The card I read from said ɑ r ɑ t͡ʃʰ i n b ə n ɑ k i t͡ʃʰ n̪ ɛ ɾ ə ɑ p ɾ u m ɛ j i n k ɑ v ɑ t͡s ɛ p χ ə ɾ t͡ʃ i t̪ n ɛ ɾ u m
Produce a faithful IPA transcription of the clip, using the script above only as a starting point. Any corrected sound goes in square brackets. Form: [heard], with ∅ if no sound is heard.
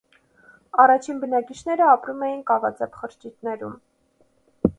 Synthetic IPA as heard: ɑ r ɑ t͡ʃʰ i n b ə n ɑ k i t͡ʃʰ n̪ ɛ ɾ ə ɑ p ɾ u m ɛ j i n k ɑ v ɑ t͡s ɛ p χ ə ɾ t͡ʃ i t̪ n ɛ ɾ u m